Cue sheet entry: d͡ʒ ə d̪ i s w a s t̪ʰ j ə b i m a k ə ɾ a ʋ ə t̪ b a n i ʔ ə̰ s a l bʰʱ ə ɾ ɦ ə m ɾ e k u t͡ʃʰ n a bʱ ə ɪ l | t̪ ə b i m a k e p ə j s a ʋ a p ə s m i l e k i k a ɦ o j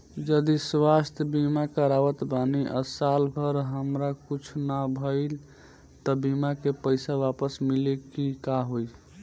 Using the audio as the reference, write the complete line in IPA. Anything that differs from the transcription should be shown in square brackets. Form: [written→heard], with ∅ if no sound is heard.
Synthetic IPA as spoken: d͡ʒ ə d̪ i s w a s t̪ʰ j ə b i m a k ə ɾ a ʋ ə t̪ b a n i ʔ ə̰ s a l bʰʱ ə ɾ ɦ ə m ɾ [e→a] k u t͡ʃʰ n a bʱ ə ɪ l | t̪ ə b i m a k e p ə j s a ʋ a p ə s m i l e k i k a ɦ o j